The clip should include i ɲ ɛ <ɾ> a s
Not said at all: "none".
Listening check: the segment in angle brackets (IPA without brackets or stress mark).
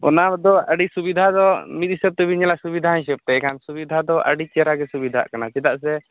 l